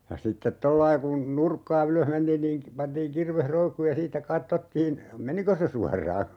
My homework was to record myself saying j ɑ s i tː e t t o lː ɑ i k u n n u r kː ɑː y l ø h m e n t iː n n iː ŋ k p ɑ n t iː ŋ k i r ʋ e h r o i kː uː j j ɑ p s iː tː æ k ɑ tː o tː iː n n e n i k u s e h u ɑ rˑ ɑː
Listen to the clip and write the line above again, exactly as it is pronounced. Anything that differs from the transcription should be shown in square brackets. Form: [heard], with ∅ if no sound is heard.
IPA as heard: j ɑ s i tː e t t o lː ɑ i k u n n u r kː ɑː y l ø h m e n t iː n n iː ŋ k p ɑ n t iː ŋ k i r ʋ e h r o i kː uː j j ɑ [∅] s iː tː æ k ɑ tː o tː iː n [m] e n i k [o] s e [s] u ɑ rˑ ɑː